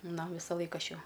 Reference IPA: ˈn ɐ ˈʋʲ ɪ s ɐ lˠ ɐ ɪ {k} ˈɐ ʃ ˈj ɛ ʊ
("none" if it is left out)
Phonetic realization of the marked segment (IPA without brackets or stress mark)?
k